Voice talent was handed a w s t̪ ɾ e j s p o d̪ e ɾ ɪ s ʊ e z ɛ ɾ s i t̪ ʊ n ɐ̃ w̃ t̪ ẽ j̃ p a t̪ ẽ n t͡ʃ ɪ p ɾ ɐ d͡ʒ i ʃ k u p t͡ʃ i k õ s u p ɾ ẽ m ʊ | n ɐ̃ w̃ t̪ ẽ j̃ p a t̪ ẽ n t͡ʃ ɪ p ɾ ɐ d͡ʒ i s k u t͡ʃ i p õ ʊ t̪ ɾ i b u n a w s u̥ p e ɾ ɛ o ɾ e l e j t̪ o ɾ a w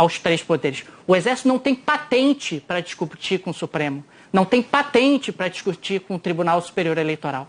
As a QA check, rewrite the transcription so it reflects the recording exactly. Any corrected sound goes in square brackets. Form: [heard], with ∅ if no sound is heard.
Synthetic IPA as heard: a w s t̪ ɾ e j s p o d̪ e ɾ ɪ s ʊ e z ɛ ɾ s i t̪ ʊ n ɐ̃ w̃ t̪ ẽ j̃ p a t̪ ẽ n t͡ʃ ɪ p ɾ ɐ d͡ʒ i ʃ k u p t͡ʃ i k õ s u p ɾ ẽ m ʊ | n ɐ̃ w̃ t̪ ẽ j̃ p a t̪ ẽ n t͡ʃ ɪ p ɾ ɐ d͡ʒ i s k u t͡ʃ i [k] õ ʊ t̪ ɾ i b u n a w s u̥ p e ɾ [i] o ɾ e l e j t̪ o ɾ a w

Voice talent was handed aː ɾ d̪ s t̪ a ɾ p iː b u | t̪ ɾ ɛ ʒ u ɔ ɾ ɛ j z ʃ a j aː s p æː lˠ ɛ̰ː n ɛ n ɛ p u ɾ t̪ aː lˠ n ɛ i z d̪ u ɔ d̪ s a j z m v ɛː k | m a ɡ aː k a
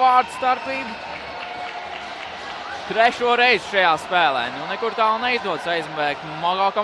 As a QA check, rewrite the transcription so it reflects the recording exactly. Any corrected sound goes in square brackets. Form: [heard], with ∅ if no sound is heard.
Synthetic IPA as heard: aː ɾ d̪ s t̪ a ɾ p iː b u | t̪ ɾ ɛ [ʃ] u ɔ ɾ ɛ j z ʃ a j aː s p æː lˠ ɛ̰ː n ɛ n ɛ [k] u ɾ t̪ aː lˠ n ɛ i z d̪ u ɔ d̪ s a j z m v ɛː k | m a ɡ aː k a

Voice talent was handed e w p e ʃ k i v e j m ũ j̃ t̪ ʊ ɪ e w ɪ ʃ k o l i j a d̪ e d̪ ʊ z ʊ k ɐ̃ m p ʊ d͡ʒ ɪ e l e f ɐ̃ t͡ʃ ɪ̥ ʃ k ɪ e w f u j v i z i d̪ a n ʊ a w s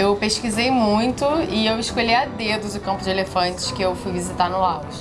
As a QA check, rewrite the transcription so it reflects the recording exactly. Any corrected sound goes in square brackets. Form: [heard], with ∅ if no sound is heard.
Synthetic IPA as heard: e w p e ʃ k i [z] e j m ũ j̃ t̪ ʊ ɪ e w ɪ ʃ k o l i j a d̪ e d̪ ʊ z ʊ k ɐ̃ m p ʊ d͡ʒ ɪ e l e f ɐ̃ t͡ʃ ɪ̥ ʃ k ɪ e w f u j v i z i [t̪] a n ʊ a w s

